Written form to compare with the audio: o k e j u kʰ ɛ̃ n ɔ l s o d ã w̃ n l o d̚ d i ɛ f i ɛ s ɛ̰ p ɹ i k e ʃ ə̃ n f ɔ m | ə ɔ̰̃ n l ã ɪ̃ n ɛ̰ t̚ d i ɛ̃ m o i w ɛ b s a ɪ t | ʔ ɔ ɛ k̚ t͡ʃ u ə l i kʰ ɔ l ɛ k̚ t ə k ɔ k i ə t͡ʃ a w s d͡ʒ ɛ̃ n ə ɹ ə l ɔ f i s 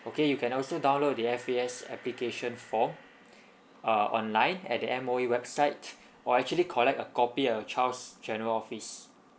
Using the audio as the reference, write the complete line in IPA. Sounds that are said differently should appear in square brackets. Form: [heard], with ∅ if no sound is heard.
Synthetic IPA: o k e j u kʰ ɛ̃ n ɔ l s o d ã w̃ n l o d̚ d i ɛ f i ɛ s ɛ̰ p [l] i k e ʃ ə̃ n f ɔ m | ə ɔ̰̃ n l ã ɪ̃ n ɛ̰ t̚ d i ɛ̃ m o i w ɛ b s a ɪ t | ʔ ɔ ɛ k̚ t͡ʃ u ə l i kʰ ɔ l ɛ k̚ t ə k ɔ [p] i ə t͡ʃ a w s d͡ʒ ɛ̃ n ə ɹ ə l ɔ f i s